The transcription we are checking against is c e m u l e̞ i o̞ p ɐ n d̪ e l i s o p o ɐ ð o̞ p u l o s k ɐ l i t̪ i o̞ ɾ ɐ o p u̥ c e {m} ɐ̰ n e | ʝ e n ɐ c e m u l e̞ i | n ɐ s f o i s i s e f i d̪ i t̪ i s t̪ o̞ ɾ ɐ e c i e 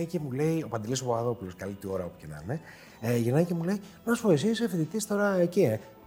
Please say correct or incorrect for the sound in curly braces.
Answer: incorrect